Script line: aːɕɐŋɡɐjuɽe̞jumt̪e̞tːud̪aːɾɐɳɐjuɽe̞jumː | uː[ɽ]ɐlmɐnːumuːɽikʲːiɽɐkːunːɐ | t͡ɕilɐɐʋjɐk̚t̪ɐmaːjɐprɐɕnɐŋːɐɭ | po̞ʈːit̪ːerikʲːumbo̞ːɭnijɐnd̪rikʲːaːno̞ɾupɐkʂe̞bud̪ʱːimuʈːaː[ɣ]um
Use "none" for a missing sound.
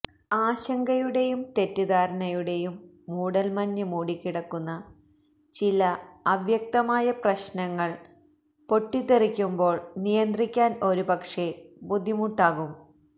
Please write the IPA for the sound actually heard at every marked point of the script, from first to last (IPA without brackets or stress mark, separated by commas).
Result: ɽ, ɣ